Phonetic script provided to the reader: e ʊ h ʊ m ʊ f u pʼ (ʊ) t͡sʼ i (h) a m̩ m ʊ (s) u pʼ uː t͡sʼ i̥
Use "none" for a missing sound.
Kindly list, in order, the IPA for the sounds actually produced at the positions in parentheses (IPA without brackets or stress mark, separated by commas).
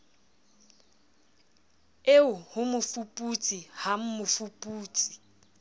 u, h, f